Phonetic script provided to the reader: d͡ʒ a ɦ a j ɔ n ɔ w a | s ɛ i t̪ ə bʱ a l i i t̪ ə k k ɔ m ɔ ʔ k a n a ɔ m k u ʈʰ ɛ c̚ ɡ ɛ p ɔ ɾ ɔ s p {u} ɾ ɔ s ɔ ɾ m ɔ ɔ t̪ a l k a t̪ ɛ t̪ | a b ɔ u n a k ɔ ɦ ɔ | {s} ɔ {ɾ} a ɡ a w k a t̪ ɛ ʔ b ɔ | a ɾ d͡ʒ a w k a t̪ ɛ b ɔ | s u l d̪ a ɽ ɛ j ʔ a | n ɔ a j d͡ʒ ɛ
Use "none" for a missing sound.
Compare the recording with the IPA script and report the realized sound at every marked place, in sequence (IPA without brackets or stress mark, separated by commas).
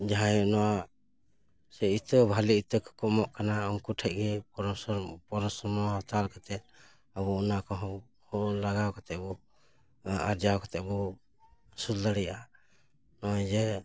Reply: ɔ, h, l